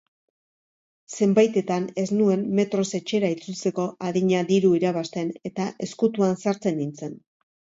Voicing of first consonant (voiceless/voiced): voiceless